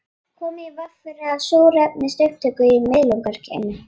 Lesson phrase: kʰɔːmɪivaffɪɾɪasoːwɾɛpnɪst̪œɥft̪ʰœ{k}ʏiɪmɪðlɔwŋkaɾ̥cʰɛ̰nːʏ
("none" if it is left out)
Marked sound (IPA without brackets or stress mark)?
k